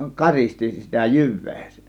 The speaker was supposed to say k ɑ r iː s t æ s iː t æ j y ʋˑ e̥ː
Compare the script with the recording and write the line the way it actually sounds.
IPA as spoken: k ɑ r i s t i s i t æ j y ʋˑ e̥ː